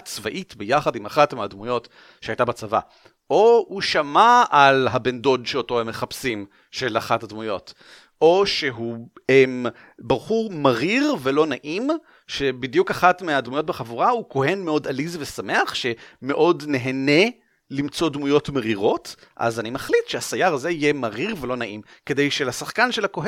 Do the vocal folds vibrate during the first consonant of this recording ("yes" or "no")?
no